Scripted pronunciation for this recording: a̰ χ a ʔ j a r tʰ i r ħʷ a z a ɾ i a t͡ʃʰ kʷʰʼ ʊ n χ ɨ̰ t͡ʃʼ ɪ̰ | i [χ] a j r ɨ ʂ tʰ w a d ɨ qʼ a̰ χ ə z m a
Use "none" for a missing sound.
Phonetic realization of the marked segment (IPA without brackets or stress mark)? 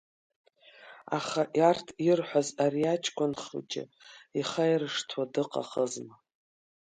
χ